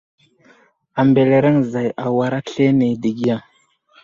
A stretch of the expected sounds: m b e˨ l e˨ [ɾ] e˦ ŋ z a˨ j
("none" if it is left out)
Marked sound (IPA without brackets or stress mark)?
ɾ